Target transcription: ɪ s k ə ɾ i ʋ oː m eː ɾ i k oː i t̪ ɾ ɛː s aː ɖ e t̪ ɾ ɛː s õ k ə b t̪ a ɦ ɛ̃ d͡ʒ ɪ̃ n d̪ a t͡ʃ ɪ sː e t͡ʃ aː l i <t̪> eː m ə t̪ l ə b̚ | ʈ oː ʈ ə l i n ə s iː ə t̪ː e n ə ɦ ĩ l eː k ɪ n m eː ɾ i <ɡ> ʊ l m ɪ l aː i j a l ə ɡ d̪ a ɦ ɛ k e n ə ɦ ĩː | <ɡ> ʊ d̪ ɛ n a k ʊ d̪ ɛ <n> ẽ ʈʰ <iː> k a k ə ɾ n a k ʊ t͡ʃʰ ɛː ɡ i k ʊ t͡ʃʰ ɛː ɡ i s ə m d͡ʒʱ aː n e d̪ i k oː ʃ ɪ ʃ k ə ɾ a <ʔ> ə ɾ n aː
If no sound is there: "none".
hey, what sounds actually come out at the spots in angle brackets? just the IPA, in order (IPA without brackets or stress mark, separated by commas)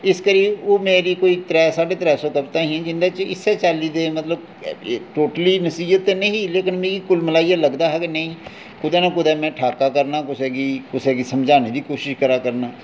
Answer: d̪, k, k, m, aː, k